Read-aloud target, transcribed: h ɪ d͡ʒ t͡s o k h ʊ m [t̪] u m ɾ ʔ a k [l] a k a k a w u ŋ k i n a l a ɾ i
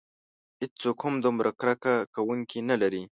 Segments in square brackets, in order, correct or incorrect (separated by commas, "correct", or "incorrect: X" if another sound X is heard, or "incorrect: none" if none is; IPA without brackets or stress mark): incorrect: d̪, incorrect: ɾ